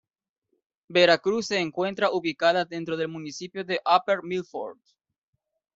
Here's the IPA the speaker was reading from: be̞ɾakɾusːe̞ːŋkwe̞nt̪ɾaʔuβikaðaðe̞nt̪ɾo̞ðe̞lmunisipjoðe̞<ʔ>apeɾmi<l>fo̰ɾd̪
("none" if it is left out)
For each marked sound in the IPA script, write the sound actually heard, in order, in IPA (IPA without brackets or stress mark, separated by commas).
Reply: ʔ, l